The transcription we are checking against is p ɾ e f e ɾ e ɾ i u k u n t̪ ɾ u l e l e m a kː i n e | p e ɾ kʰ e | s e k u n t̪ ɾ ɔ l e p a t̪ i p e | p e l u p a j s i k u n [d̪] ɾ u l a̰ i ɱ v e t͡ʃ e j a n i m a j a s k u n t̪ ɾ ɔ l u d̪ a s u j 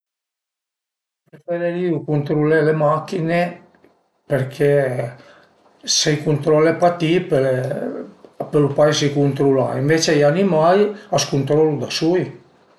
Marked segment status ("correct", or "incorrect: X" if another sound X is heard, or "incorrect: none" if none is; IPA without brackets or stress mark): incorrect: t̪